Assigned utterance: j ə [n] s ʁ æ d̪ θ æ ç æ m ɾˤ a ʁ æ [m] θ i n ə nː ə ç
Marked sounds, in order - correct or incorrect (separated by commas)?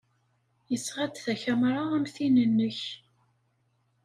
incorrect, correct